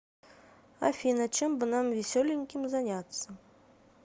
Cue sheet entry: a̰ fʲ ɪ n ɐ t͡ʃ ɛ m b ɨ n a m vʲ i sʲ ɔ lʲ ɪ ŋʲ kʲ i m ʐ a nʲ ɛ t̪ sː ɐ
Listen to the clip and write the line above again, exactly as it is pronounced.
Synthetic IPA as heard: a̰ fʲ i n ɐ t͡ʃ ɛ m b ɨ n a m vʲ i sʲ ɔ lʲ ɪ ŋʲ kʲ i m z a nʲ a t̪ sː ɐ